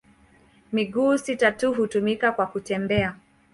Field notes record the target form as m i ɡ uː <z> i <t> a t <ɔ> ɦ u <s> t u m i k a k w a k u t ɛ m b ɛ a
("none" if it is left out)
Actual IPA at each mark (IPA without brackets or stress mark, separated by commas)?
s, t, u, none